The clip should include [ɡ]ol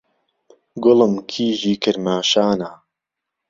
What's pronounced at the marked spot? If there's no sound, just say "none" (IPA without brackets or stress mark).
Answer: ɡ